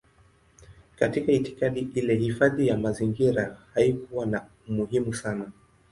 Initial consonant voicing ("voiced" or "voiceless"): voiceless